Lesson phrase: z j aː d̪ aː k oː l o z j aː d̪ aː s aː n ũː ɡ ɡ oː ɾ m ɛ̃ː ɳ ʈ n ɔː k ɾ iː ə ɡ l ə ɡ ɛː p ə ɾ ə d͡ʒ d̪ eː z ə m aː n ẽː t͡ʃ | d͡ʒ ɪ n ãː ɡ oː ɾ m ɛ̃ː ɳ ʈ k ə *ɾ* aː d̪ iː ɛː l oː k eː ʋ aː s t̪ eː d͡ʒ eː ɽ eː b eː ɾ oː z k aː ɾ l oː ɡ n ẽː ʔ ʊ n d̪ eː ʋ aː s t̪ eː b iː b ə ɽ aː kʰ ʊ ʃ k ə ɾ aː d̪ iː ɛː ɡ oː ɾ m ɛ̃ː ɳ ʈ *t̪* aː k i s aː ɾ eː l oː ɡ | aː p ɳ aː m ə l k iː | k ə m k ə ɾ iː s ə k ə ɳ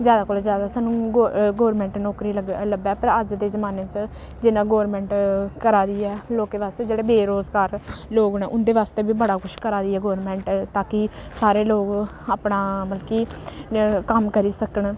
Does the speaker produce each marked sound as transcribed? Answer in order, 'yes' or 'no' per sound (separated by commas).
yes, yes